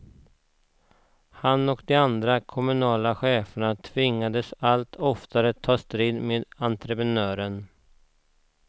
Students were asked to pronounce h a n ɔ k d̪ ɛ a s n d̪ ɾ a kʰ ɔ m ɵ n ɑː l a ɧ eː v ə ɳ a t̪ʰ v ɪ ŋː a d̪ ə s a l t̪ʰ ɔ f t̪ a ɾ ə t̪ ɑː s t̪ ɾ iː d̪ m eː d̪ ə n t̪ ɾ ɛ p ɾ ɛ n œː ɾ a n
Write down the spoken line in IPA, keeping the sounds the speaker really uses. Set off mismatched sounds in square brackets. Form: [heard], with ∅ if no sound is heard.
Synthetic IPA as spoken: h a n ɔ k d̪ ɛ a [∅] n d̪ ɾ a kʰ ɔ m ɵ n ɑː l a ɧ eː [f] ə ɳ a t̪ʰ v ɪ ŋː a d̪ ə s a l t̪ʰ ɔ f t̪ a ɾ ə [t̪ʰ] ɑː s t̪ ɾ iː d̪ m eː d̪ [a] n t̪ ɾ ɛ p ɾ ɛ n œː ɾ [ə] n